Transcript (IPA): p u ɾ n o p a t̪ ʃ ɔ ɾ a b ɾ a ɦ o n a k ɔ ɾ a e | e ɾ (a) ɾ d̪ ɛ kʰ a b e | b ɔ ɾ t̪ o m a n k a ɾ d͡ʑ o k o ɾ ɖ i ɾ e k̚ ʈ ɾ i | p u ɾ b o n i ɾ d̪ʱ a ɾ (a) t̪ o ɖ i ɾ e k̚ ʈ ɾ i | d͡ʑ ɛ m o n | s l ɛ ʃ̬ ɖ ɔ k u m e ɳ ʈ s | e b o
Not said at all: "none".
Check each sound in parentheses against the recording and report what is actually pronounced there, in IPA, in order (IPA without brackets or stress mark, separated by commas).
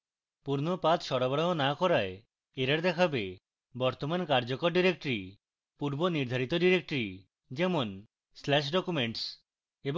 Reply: a, i